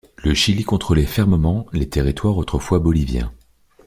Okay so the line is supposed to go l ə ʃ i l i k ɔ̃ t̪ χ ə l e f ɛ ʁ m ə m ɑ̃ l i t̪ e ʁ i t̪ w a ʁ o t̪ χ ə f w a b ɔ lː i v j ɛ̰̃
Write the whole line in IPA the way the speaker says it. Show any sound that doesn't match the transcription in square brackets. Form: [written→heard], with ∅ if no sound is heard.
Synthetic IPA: l ə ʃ i l i k ɔ̃ t̪ χ ə l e f ɛ ʁ m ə m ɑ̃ l [i→e] t̪ e ʁ i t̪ w a ʁ o t̪ χ ə f w a b ɔ [lː→l] i v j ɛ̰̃